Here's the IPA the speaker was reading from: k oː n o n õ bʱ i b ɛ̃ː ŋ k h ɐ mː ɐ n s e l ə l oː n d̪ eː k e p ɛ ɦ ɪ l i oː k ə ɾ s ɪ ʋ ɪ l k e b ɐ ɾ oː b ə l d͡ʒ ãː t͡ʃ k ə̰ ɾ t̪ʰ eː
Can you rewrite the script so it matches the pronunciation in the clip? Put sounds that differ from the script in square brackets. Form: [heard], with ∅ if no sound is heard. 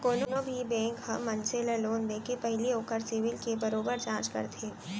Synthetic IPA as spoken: k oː n o n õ bʱ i b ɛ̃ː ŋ k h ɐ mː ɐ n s e l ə l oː n d̪ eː k e p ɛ ɦ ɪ l i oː k ə ɾ s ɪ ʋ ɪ l k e b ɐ ɾ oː b ə [ɾ] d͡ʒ ãː t͡ʃ k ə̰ ɾ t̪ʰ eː